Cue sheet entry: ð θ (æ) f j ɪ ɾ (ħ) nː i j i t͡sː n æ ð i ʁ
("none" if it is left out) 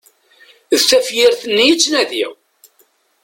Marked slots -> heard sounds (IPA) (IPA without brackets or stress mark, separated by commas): æ, θ